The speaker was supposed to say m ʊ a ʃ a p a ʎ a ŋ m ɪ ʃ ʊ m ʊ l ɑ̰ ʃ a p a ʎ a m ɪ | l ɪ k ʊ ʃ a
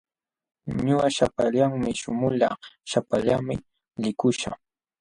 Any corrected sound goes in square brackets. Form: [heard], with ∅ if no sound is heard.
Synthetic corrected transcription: [ɲ] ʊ a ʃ a p a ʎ a ŋ m ɪ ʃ ʊ m ʊ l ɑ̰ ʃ a p a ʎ a m ɪ | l ɪ k ʊ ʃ a